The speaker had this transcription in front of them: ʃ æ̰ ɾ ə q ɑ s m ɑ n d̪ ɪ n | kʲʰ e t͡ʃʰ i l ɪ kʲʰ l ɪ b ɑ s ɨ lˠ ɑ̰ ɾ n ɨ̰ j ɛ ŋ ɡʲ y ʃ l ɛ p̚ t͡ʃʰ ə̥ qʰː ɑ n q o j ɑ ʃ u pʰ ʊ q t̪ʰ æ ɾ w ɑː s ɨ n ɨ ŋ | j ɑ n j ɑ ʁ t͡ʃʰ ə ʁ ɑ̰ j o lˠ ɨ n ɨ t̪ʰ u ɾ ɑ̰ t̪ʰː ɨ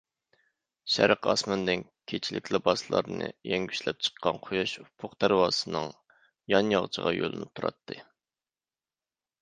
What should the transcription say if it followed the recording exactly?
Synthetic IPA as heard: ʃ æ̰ ɾ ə q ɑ s m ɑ n d̪ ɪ n | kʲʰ e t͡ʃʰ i l ɪ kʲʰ l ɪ b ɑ s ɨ lˠ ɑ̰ ɾ n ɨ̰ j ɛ ŋ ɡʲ y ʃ l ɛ p̚ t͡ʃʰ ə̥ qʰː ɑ n qʰ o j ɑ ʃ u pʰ ʊ q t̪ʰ æ ɾ w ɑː s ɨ n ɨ ŋ | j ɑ n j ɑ ʁ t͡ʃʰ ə ʁ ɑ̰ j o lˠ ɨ n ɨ t̪ʰ u ɾ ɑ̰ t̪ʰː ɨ